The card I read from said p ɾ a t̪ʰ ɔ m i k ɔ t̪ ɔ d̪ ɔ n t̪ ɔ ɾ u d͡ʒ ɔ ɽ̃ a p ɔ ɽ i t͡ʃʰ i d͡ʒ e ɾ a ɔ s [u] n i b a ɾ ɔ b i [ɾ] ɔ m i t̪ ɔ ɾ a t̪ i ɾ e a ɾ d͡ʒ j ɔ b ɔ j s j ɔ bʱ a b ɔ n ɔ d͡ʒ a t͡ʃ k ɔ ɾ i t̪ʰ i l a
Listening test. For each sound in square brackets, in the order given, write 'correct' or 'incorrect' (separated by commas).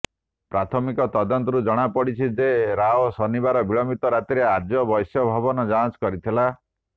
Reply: incorrect, incorrect